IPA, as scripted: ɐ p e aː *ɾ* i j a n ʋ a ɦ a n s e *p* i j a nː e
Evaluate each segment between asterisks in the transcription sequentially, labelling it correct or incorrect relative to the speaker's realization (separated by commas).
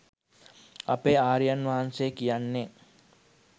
correct, incorrect